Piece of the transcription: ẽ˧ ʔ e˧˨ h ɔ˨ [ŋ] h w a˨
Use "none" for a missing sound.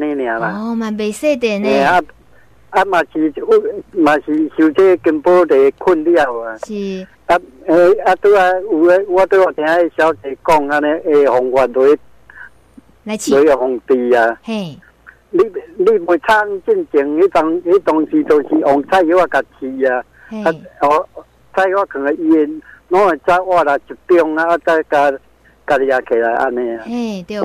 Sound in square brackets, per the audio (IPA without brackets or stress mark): ŋ